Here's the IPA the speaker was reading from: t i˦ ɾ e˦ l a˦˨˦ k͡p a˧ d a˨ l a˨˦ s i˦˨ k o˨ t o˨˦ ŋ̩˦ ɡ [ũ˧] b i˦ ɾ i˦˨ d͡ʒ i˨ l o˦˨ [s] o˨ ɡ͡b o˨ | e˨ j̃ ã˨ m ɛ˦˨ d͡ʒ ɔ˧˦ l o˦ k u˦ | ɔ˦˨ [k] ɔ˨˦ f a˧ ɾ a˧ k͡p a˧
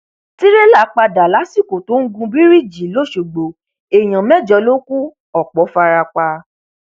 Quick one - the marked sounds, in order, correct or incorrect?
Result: correct, incorrect: ʃ, incorrect: k͡p

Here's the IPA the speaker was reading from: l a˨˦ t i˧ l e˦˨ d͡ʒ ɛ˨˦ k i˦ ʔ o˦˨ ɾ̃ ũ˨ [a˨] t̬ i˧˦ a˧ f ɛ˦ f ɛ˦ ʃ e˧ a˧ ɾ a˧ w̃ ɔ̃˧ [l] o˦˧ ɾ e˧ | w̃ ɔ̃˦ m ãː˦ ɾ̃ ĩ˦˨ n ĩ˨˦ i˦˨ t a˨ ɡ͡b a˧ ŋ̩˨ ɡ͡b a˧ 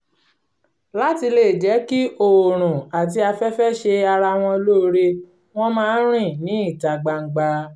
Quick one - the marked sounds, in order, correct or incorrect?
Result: correct, correct

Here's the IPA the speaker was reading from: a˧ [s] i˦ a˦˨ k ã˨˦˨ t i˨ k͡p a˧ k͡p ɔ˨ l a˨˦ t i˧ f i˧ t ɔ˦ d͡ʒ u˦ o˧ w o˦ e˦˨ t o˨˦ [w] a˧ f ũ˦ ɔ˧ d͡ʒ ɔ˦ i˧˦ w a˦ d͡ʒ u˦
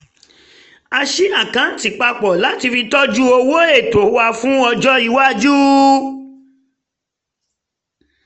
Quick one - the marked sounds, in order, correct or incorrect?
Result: incorrect: ʃ, correct

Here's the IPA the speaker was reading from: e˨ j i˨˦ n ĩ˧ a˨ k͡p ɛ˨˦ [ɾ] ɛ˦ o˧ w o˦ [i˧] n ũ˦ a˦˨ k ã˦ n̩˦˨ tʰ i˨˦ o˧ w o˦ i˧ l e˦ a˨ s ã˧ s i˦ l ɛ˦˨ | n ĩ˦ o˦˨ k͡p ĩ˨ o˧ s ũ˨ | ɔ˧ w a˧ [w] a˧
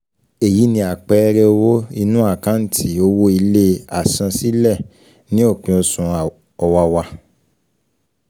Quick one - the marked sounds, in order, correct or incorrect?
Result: correct, correct, correct

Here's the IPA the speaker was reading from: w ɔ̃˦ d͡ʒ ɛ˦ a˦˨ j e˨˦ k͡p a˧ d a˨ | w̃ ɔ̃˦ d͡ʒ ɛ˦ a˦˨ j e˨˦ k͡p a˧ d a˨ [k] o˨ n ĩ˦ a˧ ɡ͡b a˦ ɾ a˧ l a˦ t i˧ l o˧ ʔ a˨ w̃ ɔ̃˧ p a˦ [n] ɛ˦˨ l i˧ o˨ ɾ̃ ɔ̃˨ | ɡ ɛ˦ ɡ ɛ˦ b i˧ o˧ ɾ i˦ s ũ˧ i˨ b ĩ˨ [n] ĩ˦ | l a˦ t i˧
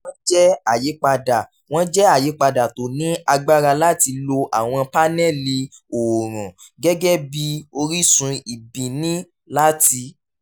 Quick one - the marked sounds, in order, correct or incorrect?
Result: incorrect: t, correct, correct

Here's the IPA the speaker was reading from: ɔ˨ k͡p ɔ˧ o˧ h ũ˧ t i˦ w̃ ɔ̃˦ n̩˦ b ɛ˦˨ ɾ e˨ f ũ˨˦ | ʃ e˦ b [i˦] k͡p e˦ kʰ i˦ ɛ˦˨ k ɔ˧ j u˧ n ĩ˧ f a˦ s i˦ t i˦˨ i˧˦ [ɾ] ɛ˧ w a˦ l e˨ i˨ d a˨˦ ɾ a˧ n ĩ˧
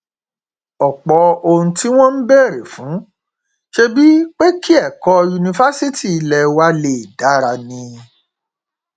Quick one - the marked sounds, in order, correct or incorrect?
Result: correct, incorrect: l

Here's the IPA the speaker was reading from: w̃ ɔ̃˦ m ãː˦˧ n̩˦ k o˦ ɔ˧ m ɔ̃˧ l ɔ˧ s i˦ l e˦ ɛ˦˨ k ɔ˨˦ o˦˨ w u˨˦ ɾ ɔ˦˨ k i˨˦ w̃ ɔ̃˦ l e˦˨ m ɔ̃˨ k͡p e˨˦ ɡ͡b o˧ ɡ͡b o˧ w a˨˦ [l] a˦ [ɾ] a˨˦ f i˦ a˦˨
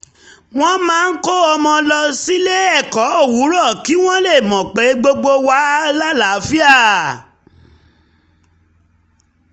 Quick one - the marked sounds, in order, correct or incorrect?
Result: correct, incorrect: l

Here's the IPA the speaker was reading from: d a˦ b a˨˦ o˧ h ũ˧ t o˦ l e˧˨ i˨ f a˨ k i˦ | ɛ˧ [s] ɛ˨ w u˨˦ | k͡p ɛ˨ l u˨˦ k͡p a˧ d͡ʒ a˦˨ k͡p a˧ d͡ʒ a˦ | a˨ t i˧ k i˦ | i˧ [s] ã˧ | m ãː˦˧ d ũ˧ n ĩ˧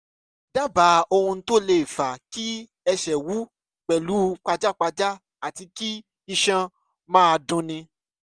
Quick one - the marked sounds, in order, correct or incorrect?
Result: incorrect: ʃ, incorrect: ʃ

